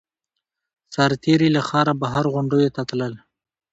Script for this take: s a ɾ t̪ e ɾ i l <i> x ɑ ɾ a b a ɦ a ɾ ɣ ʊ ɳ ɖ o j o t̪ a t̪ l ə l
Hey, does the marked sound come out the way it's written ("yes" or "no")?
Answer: no